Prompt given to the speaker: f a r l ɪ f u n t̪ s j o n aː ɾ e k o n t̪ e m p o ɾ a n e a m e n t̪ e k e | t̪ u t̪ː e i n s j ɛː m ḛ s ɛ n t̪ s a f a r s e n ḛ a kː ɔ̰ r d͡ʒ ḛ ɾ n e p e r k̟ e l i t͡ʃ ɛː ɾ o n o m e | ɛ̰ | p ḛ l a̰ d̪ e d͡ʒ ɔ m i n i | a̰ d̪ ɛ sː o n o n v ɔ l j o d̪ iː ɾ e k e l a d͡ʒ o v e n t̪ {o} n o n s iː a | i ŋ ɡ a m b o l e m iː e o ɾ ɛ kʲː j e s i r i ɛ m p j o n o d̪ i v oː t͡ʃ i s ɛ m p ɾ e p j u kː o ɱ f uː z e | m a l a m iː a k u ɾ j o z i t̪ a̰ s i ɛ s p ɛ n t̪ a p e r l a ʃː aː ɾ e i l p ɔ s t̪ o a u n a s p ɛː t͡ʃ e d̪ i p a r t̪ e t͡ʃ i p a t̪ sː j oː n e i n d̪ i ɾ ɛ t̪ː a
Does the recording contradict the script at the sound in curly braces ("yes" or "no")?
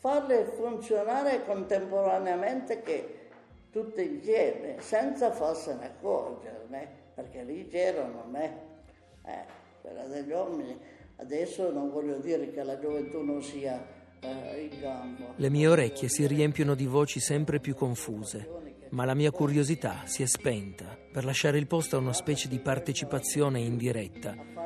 yes